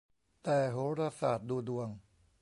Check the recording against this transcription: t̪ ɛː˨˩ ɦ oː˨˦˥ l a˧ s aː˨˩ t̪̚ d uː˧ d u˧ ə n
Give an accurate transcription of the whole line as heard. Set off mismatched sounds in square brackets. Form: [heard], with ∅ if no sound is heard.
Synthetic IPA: t̪ ɛː˨˩ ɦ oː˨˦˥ [ɾ] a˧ s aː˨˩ t̪̚ d uː˧ d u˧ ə [ŋ]